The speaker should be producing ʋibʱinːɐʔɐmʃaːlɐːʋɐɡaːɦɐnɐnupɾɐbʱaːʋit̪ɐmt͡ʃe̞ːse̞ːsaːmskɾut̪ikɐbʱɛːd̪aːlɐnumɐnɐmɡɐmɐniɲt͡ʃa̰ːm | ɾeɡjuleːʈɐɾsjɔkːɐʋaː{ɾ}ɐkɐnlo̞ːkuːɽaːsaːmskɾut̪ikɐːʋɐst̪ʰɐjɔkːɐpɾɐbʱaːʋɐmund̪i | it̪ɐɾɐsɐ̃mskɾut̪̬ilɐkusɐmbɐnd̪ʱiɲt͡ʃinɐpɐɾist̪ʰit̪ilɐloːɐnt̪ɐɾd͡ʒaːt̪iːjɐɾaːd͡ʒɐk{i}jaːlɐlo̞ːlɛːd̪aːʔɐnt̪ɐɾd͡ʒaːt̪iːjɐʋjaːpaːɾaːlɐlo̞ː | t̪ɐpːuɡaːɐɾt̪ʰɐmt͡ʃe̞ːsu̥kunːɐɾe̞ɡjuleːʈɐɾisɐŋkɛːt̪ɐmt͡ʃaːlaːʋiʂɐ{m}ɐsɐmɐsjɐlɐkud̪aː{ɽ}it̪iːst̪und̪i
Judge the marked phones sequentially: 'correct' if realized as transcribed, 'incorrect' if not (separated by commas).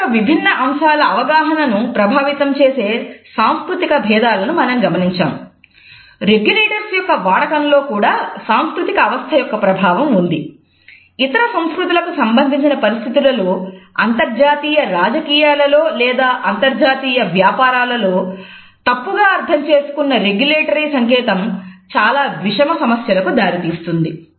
incorrect, incorrect, correct, incorrect